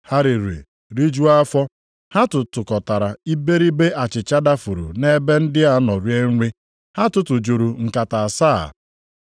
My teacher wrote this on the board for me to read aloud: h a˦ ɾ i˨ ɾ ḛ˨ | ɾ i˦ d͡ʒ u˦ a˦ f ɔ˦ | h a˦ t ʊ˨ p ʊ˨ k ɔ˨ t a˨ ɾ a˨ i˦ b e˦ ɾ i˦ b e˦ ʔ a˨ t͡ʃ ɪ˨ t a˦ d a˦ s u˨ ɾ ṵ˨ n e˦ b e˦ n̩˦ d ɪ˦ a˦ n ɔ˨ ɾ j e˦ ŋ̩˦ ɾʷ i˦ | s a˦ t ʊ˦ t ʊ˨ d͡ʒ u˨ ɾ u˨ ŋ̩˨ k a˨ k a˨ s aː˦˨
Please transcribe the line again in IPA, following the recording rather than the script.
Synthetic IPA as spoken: h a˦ ɾ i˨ ɾ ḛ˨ | ɾ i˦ d͡ʒ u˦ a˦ f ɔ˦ | h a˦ t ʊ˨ t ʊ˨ k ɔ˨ t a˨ ɾ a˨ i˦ b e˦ ɾ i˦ b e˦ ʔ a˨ t͡ʃ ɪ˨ t͡ʃ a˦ d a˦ f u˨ ɾ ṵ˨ n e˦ b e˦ n̩˦ d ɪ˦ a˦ n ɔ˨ ɾ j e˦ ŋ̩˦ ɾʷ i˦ | h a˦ t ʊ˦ t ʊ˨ d͡ʒ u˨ ɾ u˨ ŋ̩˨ k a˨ t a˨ s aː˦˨